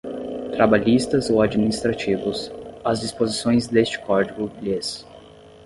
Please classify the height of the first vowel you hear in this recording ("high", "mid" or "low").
low